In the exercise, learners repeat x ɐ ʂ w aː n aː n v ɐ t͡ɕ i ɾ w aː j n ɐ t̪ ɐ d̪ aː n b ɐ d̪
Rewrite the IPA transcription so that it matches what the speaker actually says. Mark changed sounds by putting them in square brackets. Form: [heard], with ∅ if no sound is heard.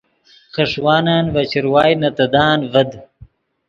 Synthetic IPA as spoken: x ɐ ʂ w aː n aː n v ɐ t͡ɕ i ɾ w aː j n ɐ t̪ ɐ d̪ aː n [v] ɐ d̪